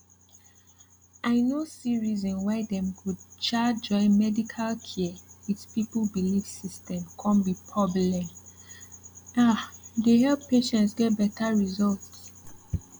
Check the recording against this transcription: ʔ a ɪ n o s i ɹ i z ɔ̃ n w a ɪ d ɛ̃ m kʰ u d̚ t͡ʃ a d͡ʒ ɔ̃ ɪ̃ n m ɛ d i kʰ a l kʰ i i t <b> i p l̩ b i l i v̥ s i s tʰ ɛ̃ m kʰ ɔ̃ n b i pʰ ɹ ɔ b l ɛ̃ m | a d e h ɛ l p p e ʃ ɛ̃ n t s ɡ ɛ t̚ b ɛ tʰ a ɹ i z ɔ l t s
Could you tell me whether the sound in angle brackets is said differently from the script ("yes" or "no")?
yes